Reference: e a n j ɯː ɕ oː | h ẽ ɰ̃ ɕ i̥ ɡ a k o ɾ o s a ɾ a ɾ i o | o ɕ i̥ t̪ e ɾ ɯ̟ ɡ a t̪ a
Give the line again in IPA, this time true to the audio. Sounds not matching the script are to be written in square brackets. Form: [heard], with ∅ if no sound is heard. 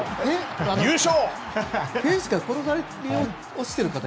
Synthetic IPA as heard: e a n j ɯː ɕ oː | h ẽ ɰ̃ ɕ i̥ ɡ a k o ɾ o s a ɾ [e] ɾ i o | o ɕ i̥ t̪ e ɾ ɯ̟ [k] a t̪ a